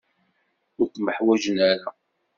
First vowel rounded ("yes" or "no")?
yes